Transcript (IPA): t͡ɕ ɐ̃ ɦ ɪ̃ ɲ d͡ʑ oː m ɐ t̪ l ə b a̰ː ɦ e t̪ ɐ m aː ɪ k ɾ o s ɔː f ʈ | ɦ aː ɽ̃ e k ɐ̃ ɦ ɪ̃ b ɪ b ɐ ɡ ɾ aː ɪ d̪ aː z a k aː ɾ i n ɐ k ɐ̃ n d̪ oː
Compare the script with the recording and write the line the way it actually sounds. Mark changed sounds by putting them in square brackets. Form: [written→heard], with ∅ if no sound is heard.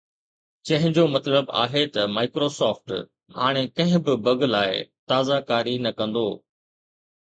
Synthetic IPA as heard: t͡ɕ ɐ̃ ɦ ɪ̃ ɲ d͡ʑ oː m ɐ t̪ l ə b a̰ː ɦ e t̪ ɐ m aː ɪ k ɾ o s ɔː f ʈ | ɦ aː ɽ̃ e k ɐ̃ ɦ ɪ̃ b ɪ b ɐ ɡ [ɾ→l] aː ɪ [d̪→t̪] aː z a k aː ɾ i n ɐ k ɐ̃ n d̪ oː

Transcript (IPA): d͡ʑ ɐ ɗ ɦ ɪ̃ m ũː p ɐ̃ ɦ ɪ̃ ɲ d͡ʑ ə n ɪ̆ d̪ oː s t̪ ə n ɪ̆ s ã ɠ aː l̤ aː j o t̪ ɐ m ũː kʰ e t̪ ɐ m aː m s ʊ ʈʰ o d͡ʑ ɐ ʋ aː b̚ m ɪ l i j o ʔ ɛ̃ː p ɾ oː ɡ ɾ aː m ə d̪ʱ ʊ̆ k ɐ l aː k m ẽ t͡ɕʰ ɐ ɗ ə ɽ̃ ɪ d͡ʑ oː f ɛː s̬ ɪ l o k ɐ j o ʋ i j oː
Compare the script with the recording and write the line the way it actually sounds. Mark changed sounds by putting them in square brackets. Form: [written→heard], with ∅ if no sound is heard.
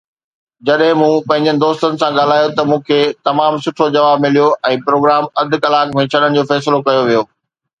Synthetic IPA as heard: d͡ʑ ɐ ɗ ɦ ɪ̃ m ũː p ɐ̃ ɦ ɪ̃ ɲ d͡ʑ ə n ɪ̆ d̪ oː s t̪ ə n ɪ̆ s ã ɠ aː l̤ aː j o t̪ ɐ m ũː kʰ e t̪ ɐ m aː m s ʊ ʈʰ o d͡ʑ ɐ ʋ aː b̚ m ɪ l i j o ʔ ɛ̃ː p ɾ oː ɡ ɾ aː m [ə→ɐ] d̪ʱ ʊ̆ k ɐ l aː k m ẽ t͡ɕʰ ɐ ɗ ə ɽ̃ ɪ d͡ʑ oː f ɛː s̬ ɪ l o k ɐ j o ʋ i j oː

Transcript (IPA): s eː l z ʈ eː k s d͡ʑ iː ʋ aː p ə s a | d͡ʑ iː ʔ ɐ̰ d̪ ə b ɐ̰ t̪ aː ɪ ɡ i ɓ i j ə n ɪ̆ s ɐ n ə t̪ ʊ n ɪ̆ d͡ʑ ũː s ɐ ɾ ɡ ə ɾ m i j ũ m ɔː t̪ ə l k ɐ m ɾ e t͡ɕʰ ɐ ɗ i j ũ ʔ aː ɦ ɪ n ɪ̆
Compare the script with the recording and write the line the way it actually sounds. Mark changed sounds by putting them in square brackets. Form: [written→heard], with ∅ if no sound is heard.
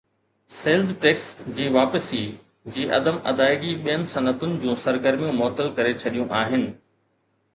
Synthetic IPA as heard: s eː l z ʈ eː k s d͡ʑ iː ʋ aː p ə s [a→i] | d͡ʑ iː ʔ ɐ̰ d̪ ə [b→m] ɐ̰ [t̪→d̪] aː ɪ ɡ i ɓ i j ə n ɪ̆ s ɐ n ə t̪ ʊ n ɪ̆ d͡ʑ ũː s ɐ ɾ ɡ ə ɾ m i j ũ m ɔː t̪ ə l k ɐ [m→∅] ɾ e t͡ɕʰ ɐ ɗ i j ũ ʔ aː ɦ ɪ n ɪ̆

